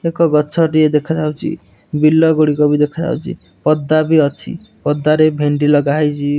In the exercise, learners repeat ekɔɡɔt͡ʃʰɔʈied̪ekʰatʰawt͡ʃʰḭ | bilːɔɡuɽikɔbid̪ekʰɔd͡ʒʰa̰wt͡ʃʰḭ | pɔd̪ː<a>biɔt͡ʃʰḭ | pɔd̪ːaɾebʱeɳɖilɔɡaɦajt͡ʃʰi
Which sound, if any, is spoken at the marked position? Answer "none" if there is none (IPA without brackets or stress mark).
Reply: a